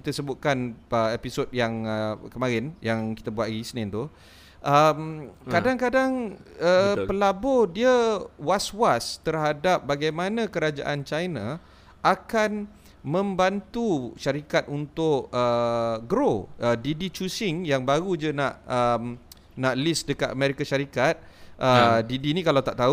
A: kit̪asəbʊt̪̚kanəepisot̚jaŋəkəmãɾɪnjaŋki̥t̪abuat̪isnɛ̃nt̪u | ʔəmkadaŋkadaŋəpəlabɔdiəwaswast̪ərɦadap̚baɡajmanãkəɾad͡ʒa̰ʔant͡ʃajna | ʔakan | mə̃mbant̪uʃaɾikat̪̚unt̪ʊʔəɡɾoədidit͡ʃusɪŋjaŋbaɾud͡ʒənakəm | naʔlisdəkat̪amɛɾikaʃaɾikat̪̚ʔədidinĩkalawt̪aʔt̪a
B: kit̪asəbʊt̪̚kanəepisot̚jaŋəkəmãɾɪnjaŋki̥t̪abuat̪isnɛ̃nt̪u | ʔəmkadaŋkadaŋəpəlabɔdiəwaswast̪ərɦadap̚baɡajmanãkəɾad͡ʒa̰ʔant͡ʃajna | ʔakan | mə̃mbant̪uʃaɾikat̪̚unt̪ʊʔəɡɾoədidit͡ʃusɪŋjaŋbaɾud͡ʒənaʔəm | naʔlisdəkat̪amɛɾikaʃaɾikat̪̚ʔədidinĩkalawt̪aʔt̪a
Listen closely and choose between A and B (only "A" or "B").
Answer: B